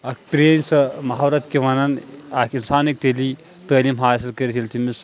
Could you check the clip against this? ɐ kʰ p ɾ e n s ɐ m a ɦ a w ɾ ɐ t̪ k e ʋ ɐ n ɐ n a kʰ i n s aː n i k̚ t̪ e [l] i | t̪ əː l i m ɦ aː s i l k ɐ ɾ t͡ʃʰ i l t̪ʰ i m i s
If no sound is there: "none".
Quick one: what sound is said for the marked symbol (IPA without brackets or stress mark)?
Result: l